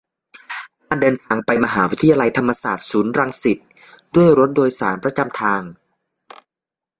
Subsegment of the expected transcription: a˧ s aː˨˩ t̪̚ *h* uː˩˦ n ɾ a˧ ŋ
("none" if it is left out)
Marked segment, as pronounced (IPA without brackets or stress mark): s